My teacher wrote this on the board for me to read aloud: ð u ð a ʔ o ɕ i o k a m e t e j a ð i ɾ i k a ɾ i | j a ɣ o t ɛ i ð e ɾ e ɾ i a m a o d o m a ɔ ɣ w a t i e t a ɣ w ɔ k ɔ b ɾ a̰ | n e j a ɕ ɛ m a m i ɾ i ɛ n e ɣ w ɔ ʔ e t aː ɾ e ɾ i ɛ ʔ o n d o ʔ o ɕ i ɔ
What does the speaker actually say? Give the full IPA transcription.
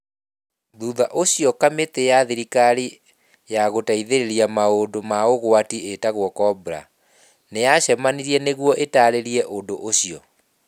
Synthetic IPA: ð u ð a ʔ o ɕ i ɔ k a m e t e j a ð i ɾ i k a ɾ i | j a ɣ o t a i ð e ɾ e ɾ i a m a o d o m a o ɣ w a t i e t a ɣ w ɔ k ɔ b ɾ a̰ | n e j a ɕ ɛ m a n i ɾ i ɛ n e ɣ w ɔ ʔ e t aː ɾ e ɾ i ɛ ʔ o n d o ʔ o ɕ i ɔ